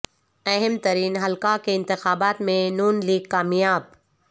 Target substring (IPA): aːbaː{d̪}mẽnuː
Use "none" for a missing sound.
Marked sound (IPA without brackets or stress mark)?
t̪